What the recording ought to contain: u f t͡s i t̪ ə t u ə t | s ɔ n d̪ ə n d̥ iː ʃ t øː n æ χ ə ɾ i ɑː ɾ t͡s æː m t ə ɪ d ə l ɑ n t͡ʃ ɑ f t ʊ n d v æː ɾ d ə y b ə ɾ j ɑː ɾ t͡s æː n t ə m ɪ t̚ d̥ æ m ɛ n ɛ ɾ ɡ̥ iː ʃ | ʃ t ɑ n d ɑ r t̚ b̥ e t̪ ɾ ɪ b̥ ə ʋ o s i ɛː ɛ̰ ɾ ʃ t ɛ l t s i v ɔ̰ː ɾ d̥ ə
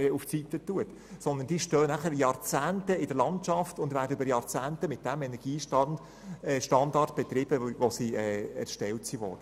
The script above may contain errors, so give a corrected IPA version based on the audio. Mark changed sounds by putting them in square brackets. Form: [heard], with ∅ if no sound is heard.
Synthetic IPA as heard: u f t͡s i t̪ ə t u ə t | s ɔ n d̪ ə n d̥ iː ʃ t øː n æ χ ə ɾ [j] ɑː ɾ t͡s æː [n] t ə ɪ d ə l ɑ n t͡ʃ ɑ f t ʊ n d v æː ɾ d ə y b ə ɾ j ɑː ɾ t͡s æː n t ə m ɪ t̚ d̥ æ m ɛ n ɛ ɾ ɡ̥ iː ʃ | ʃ t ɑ n d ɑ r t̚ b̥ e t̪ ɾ ɪ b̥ ə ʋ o s i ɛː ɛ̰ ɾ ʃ t ɛ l t s i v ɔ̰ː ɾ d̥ ə